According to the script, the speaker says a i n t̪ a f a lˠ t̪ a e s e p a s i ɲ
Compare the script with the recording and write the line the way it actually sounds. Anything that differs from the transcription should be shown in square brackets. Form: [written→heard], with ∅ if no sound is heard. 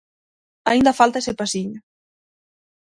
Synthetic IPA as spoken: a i n [t̪→d̪] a f a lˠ t̪ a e s e p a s i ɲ